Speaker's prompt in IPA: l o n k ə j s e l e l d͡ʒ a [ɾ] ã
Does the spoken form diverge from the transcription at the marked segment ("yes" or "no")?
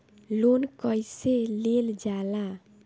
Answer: yes